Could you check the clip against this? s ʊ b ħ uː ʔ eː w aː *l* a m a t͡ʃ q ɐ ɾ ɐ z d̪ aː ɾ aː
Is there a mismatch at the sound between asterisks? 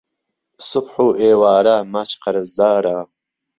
yes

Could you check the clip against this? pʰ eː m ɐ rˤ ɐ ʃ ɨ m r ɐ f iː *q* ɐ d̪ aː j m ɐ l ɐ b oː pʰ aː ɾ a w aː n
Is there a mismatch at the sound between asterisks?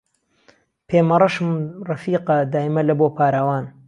no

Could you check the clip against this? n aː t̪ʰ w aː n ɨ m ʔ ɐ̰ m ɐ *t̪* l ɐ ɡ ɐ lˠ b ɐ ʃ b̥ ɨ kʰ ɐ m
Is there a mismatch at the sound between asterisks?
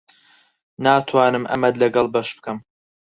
yes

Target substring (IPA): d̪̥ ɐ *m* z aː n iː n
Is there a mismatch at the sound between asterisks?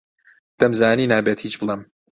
no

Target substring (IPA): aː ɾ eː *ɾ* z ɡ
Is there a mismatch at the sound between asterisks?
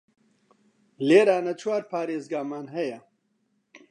yes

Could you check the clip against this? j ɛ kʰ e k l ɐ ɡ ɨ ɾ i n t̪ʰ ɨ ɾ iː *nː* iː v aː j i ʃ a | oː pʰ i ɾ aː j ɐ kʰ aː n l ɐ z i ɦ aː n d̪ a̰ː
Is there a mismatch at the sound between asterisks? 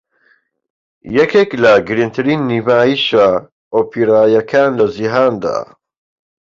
no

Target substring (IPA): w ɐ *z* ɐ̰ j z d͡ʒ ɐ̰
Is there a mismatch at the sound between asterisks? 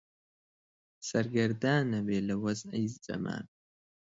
no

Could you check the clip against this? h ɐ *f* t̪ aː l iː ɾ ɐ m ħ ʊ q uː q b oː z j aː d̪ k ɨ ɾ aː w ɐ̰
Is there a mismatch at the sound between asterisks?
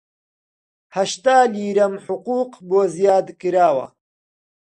yes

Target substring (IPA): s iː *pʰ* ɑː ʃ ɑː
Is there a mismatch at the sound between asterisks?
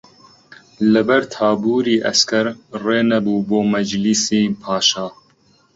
no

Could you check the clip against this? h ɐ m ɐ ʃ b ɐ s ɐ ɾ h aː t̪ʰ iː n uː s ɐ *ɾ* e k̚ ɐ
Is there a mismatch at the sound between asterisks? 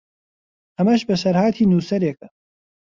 no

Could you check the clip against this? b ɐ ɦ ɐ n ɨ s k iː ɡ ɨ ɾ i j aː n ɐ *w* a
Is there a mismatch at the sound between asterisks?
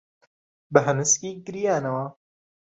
no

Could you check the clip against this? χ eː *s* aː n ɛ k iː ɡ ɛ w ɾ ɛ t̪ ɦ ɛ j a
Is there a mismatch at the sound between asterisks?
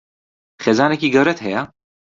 yes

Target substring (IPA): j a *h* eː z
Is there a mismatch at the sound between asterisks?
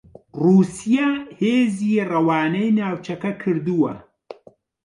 no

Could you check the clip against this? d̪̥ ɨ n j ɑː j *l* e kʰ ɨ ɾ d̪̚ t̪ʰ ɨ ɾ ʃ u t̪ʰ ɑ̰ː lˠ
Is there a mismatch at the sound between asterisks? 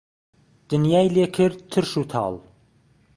no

